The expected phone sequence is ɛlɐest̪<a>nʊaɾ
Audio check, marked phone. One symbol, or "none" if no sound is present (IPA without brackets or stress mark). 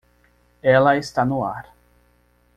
a